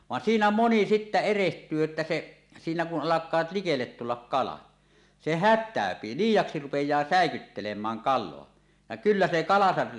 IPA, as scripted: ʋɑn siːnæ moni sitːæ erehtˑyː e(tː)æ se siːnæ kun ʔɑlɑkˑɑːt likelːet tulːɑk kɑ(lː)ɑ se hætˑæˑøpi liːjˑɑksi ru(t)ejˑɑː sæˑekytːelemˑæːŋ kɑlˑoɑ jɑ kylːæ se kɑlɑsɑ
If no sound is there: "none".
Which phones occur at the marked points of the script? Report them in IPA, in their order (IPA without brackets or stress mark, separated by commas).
tː, l, p